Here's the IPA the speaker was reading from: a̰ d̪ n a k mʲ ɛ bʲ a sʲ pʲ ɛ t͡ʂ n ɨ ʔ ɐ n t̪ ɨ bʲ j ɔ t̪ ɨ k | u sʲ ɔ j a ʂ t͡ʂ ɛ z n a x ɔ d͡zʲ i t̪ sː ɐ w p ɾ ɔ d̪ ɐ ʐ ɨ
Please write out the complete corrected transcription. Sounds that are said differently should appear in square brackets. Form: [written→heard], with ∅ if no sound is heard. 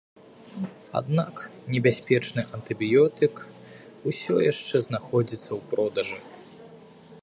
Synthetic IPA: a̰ d̪ n a k [mʲ→nʲ] ɛ bʲ a sʲ pʲ ɛ t͡ʂ n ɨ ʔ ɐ n t̪ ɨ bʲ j ɔ t̪ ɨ k | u sʲ ɔ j a ʂ t͡ʂ ɛ z n a x ɔ d͡zʲ i t̪ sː ɐ w p ɾ ɔ d̪ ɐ ʐ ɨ